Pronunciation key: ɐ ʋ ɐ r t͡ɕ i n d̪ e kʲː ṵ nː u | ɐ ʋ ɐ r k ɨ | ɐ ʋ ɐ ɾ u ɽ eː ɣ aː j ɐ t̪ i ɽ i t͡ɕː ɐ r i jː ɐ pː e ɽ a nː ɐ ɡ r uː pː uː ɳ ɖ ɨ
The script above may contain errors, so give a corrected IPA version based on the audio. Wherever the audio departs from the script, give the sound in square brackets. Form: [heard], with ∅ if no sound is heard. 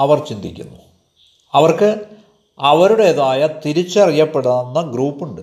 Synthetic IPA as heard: ɐ ʋ ɐ r t͡ɕ i n d̪ [i] kʲː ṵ nː u | ɐ ʋ ɐ r k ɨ | ɐ ʋ ɐ ɾ u ɽ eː [ð] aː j ɐ t̪ i [ɾ] i t͡ɕː ɐ r i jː ɐ pː e ɽ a nː ɐ ɡ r uː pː [u] ɳ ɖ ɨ